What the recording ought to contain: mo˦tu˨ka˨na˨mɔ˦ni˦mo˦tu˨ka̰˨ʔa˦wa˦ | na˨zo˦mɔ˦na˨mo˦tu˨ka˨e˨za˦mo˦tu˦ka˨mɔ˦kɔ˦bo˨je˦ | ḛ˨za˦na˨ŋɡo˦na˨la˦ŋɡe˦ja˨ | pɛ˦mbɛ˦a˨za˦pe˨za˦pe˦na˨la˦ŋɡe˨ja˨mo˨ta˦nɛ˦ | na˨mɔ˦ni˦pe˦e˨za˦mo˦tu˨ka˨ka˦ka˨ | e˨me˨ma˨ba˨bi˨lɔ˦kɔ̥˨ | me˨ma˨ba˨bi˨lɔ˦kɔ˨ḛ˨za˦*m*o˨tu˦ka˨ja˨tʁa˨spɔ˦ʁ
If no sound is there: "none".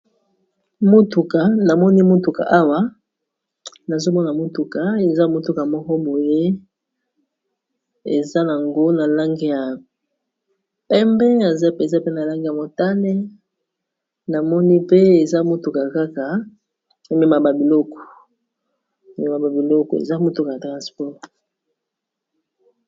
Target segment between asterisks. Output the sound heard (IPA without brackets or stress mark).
m